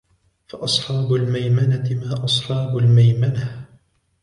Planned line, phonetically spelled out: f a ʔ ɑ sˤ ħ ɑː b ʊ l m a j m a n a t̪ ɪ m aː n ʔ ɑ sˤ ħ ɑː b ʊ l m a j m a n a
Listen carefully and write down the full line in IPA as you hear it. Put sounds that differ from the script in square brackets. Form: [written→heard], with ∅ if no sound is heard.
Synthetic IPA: f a ʔ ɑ sˤ ħ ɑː b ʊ l m a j m a n a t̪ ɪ m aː [n→∅] ʔ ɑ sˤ ħ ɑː b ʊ l m a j m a n a